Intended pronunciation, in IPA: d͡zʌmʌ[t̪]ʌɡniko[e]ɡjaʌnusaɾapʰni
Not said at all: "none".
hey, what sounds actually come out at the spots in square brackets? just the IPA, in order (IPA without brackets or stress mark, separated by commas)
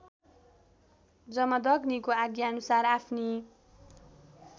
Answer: d̪, a